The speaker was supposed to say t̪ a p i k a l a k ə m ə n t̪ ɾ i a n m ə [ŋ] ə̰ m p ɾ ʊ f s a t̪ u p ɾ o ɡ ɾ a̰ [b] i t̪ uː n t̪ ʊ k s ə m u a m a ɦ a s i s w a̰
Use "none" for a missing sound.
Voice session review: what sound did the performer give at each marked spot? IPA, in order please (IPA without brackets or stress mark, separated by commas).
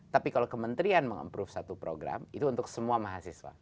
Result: ŋ, m